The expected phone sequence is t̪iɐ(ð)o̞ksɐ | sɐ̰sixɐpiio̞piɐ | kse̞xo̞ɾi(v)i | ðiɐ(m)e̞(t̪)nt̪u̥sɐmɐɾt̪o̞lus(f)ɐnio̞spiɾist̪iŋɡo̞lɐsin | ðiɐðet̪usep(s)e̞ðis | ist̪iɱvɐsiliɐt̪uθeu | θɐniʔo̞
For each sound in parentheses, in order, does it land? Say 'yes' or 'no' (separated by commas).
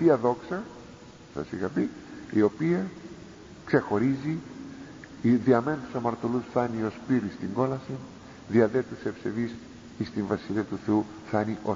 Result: yes, no, yes, no, no, yes